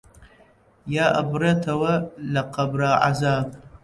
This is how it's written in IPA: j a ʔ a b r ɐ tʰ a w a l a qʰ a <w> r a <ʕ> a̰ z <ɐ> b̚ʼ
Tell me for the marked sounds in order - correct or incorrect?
incorrect, correct, incorrect

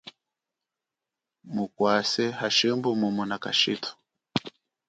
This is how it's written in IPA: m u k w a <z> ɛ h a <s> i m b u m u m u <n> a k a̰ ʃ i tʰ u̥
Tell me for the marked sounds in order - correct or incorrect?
incorrect, incorrect, correct

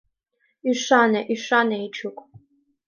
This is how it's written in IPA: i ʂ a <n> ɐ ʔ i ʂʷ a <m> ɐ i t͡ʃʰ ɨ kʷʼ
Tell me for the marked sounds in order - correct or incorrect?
correct, incorrect

